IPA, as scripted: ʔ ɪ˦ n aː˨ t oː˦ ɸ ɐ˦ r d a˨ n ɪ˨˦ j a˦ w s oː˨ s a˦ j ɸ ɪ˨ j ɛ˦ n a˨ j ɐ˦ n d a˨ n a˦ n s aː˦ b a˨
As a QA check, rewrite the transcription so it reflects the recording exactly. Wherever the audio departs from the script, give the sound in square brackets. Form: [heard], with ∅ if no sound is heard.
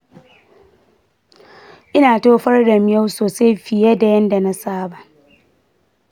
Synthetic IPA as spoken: ʔ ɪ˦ n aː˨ t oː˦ ɸ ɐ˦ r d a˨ [m] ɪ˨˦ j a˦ w s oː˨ s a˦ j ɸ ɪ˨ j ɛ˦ [d] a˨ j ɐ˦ n d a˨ n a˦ [∅] s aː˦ b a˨

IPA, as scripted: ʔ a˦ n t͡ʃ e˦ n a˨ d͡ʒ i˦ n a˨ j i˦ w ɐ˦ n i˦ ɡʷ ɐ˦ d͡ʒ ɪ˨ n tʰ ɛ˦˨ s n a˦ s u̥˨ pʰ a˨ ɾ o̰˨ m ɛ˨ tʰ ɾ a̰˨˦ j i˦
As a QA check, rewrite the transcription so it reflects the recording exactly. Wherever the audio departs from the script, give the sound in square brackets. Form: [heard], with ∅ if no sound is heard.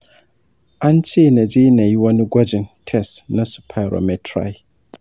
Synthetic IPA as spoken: ʔ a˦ n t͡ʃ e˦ n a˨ d͡ʒ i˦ n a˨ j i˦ w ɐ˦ n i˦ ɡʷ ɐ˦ d͡ʒ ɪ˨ n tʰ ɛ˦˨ s n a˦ s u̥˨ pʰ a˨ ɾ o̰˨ m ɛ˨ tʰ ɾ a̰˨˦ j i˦

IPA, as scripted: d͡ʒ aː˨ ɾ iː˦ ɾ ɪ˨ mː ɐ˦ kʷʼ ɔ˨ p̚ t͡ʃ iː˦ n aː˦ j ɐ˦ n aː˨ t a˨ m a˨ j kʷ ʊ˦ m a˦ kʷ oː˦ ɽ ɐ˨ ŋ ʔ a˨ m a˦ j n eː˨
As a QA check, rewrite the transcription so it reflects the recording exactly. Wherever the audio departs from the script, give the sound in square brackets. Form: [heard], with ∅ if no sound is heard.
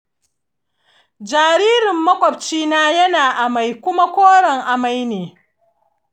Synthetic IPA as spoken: d͡ʒ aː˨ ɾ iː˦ ɾ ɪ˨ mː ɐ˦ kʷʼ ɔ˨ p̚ t͡ʃ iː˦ n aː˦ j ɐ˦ n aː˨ [ʔ] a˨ m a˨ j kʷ ʊ˦ m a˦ kʷ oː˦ ɽ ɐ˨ ŋ ʔ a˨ m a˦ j n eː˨

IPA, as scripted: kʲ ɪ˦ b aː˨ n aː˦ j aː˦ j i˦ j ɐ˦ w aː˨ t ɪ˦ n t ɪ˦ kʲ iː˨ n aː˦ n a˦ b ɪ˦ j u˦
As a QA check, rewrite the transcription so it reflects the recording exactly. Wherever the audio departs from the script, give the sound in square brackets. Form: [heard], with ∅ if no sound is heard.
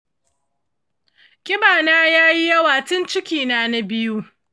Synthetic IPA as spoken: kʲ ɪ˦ b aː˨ n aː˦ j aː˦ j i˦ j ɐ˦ w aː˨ t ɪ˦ n [t͡ʃ] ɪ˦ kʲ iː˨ n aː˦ n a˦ b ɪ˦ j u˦

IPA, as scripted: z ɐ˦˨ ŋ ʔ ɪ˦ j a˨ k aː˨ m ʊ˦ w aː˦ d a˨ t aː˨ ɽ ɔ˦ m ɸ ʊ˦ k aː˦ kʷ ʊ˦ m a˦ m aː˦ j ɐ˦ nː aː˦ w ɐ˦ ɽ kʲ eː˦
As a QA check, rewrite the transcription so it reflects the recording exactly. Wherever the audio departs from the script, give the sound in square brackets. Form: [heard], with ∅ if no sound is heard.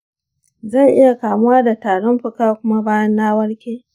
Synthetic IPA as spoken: z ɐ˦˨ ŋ ʔ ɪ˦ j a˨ k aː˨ m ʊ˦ w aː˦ d a˨ t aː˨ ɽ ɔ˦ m ɸ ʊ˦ k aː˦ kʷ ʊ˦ m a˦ [b] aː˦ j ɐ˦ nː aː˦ w ɐ˦ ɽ kʲ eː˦

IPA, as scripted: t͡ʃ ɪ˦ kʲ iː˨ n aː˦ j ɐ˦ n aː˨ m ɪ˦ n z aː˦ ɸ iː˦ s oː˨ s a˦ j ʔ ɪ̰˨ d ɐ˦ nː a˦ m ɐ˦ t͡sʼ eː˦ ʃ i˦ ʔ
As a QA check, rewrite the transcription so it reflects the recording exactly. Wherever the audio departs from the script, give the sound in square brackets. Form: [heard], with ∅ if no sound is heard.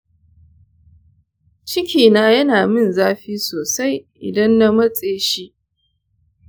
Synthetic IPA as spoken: t͡ʃ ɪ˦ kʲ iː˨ n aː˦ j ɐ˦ n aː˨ m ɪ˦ n z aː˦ ɸ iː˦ s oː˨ s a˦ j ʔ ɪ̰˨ d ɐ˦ nː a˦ m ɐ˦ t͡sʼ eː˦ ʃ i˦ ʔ

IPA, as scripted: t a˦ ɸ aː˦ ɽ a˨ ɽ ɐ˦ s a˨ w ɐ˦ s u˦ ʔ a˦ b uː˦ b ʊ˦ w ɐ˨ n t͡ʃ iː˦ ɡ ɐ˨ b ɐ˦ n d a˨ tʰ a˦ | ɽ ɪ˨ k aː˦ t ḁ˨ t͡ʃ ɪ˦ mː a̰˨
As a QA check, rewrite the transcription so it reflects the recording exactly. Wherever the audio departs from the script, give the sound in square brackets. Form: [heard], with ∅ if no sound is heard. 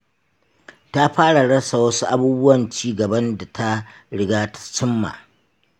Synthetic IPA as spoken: t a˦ ɸ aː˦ ɽ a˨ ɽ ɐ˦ s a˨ w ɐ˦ s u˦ ʔ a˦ b uː˦ b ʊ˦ w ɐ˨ n t͡ʃ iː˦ ɡ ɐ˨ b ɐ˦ n d a˨ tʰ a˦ | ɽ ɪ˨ [ɡ] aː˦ t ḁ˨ t͡ʃ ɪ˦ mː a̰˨

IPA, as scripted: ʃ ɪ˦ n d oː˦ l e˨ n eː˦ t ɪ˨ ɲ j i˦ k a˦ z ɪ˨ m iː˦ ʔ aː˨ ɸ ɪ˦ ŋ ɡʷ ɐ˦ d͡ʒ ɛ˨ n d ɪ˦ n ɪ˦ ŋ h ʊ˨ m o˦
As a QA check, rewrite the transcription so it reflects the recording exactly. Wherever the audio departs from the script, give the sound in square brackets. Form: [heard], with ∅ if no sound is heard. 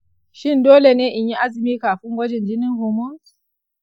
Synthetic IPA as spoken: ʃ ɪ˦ n d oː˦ l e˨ n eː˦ [ʔ] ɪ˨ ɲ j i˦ [ʔ] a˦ z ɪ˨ m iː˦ [k] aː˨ ɸ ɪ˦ ŋ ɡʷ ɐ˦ d͡ʒ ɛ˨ n [d͡ʒ] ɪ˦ n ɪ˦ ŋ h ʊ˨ m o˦

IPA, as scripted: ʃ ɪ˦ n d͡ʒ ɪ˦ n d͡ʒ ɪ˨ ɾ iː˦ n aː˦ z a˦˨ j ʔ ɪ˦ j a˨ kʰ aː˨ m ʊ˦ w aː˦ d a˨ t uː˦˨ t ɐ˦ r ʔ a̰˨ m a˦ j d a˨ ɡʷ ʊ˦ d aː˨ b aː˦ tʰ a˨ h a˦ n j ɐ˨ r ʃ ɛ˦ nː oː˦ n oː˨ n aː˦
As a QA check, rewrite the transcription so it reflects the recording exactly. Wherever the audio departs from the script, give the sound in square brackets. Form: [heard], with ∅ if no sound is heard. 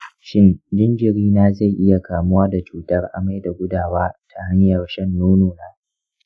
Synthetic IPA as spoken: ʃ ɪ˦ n d͡ʒ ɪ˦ n d͡ʒ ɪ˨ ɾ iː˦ n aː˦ z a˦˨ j ʔ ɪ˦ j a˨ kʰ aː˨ m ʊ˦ w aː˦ d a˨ [t͡ʃ] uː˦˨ t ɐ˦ r ʔ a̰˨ m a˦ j d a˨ ɡʷ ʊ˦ d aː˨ [w] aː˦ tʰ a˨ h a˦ [ɲ] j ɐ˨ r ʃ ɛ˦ nː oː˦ n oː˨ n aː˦

